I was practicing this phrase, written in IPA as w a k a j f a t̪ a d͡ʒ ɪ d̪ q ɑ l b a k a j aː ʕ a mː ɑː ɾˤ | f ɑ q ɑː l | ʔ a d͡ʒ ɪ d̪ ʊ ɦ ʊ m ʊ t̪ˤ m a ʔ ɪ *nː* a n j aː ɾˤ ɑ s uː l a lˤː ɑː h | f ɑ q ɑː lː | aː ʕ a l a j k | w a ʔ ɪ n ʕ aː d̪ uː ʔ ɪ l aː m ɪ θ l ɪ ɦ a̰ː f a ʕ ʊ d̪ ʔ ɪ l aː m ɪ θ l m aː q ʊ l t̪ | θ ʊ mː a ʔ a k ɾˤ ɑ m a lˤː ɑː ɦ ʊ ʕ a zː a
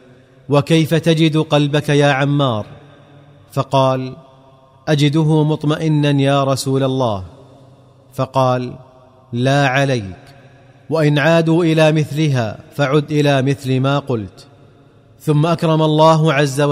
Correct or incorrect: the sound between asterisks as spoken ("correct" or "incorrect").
correct